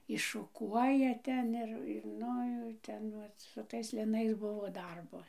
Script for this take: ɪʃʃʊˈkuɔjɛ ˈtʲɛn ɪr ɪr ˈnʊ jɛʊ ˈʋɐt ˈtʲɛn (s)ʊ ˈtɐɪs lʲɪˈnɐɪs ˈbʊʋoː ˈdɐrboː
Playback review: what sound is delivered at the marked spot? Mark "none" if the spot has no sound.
s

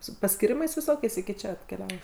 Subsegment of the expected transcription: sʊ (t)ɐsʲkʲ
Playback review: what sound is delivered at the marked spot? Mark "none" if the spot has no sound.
p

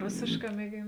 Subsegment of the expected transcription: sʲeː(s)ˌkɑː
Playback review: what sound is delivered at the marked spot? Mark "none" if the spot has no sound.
ʃ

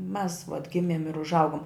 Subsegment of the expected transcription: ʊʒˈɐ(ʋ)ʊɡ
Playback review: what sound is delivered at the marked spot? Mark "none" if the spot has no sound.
none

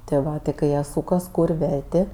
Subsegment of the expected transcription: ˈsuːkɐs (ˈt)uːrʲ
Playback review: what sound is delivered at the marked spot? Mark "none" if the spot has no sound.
k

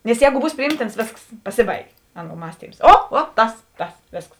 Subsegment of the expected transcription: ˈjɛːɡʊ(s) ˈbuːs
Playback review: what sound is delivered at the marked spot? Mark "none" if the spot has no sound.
none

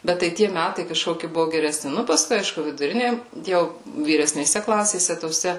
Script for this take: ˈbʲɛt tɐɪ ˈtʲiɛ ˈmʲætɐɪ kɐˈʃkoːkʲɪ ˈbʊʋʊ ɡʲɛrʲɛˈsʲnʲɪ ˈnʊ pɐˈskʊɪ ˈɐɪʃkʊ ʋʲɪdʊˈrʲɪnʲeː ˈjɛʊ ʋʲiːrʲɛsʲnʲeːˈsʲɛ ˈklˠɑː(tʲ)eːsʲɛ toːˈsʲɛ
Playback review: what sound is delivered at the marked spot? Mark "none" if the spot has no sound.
sʲ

